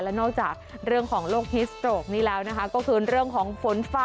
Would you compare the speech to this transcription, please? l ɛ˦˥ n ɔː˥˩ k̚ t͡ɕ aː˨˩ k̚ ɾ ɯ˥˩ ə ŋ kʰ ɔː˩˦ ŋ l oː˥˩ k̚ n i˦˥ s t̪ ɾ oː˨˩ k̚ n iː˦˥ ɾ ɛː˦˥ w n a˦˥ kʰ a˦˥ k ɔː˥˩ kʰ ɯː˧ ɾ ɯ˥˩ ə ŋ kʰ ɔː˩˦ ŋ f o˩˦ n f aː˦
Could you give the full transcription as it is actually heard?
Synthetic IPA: l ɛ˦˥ n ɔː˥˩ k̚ t͡ɕ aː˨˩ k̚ ɾ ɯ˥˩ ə ŋ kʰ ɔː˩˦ ŋ l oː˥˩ k̚ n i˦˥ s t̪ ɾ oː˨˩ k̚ n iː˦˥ l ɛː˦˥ w n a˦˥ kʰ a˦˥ k ɔː˥˩ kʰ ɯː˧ ɾ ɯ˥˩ ə ŋ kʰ ɔː˩˦ ŋ f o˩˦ n f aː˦

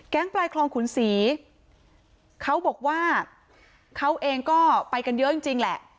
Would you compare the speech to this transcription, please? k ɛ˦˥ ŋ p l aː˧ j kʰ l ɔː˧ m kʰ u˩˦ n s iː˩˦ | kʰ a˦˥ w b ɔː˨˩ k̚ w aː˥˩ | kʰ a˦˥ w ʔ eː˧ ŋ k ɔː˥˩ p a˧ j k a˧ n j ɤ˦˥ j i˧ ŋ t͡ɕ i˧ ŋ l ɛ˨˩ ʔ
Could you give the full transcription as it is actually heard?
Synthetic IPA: k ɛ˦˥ ŋ p l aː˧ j kʰ l ɔː˧ ŋ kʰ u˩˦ n s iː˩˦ | kʰ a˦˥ w b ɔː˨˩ k̚ w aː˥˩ | kʰ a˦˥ w ʔ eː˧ ŋ k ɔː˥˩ p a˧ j k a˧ n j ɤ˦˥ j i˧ ŋ t͡ɕ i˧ ŋ l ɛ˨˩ ʔ

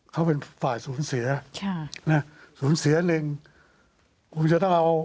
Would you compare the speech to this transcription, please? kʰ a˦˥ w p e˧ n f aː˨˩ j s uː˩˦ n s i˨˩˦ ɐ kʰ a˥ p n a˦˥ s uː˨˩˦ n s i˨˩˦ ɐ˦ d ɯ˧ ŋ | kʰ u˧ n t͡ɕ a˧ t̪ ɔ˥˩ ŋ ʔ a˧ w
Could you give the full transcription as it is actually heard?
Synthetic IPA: kʰ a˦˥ w p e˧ n f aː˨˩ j s uː˩˦ n s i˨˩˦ ɐ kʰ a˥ n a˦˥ s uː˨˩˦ n s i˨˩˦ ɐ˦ n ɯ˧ ŋ | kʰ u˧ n t͡ɕ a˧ t̪ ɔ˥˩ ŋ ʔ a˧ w

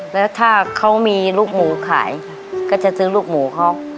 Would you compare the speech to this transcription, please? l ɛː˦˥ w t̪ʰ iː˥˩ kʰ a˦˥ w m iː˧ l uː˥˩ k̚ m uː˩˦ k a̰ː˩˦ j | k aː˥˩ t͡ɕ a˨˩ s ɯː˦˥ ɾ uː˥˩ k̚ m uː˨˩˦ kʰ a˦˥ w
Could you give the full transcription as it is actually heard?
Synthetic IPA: l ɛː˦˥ w t̪ʰ aː˥˩ kʰ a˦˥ w m iː˧ l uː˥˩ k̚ m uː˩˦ kʰ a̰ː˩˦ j | k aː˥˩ t͡ɕ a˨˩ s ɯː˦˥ l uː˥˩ k̚ m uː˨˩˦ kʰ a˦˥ w

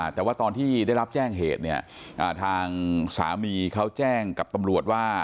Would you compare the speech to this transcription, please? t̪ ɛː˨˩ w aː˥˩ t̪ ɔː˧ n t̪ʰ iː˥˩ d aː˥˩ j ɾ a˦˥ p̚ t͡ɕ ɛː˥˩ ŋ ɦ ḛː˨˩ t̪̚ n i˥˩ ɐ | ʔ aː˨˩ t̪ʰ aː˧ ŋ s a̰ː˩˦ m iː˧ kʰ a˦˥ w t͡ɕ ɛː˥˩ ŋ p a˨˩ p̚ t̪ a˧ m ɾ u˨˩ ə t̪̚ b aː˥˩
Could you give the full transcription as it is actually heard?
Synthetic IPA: t̪ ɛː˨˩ w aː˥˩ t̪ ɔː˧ n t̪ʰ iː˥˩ d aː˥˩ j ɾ a˦˥ p̚ t͡ɕ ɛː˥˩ ŋ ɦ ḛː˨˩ t̪̚ n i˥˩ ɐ | ʔ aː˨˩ t̪ʰ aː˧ ŋ s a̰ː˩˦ m iː˧ kʰ a˦˥ w t͡ɕ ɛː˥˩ ŋ k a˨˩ p̚ t̪ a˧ m ɾ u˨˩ ə t̪̚ w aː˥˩

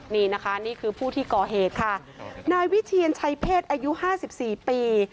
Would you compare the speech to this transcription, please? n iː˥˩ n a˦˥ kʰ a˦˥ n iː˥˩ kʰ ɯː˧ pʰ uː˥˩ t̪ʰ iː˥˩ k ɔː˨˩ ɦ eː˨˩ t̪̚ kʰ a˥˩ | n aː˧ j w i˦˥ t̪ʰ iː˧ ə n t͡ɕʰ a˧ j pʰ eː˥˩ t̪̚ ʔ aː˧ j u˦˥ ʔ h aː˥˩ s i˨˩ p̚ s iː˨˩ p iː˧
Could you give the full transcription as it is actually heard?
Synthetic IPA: n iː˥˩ n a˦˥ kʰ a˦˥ n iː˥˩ kʰ ɯː˧ pʰ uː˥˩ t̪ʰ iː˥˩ k ɔː˨˩ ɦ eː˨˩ t̪̚ kʰ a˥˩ | n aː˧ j w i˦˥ t̪ʰ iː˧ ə n t͡ɕʰ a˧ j pʰ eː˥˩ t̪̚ ʔ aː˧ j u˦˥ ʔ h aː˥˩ s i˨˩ p̚ s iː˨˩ p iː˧

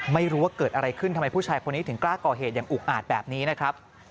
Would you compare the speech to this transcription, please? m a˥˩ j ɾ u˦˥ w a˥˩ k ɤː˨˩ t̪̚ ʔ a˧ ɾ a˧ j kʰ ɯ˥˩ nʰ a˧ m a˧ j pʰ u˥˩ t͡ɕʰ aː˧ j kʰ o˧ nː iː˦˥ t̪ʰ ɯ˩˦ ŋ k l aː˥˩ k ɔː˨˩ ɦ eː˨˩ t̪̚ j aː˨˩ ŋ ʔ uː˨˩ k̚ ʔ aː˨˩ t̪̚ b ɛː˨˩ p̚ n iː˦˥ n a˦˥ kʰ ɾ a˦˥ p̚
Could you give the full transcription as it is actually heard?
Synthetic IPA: m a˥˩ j ɾ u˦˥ w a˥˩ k ɤː˨˩ t̪̚ ʔ a˧ ɾ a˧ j kʰ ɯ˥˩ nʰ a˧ m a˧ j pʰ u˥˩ t͡ɕʰ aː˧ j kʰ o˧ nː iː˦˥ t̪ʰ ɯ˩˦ ŋ k l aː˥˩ k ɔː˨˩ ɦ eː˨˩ t̪̚ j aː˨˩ ŋ ʔ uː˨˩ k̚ ʔ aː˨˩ t̪̚ b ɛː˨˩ p̚ n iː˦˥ n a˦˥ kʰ ɾ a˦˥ p̚

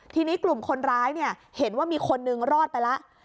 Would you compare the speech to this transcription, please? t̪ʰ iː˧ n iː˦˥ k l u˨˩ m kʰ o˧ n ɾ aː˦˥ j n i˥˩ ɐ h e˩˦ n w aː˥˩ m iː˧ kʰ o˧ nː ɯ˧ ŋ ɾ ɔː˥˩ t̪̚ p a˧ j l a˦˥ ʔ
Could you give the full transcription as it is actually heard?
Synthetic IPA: t̪ʰ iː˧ n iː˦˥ k l u˨˩ m kʰ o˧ n ɾ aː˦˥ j n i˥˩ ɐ h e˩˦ n w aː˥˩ m iː˧ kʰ o˧ nː ɯ˧ ŋ ɾ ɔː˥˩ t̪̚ p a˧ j l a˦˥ ʔ

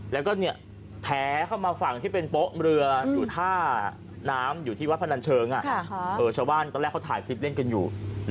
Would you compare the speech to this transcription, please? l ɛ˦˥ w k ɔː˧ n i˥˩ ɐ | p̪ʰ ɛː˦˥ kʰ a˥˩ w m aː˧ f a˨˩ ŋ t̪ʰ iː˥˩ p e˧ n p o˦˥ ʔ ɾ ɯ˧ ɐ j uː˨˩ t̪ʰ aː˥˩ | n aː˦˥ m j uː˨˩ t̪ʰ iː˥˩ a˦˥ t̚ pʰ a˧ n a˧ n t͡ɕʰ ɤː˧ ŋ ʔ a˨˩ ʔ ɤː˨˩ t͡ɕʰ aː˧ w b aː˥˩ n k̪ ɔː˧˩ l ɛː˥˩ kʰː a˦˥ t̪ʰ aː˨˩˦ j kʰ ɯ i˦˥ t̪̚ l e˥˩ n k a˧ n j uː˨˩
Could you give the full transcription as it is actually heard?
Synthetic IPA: l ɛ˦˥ w k ɔː˥˩ n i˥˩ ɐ | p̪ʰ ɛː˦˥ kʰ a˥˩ w m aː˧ f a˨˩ ŋ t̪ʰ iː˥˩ p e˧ n p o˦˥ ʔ ɾ ɯ˧ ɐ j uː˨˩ t̪ʰ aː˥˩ | n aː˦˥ m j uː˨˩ t̪ʰ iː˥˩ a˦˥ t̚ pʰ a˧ n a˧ n t͡ɕʰ ɤː˧ ŋ ʔ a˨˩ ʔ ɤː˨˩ t͡ɕʰ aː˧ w b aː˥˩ n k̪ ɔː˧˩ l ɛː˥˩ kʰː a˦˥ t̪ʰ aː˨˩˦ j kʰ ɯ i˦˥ t̪̚ l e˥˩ n k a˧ n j uː˨˩

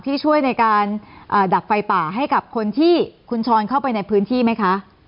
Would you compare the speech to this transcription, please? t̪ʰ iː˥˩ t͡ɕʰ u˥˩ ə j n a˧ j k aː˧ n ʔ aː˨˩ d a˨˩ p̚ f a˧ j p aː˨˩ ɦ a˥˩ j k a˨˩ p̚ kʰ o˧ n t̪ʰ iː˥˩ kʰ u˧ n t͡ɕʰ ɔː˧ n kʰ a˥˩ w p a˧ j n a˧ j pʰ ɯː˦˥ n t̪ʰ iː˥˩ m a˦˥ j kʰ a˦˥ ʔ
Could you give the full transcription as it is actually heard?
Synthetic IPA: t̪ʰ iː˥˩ t͡ɕʰ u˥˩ ə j n a˧ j k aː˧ n ʔ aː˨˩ d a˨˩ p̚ f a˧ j p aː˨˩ ɦ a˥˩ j k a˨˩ p̚ kʰ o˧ n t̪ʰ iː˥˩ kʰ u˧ n t͡ɕʰ ɔː˧ n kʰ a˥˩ w p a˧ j n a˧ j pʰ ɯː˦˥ n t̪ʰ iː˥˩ m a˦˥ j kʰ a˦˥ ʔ

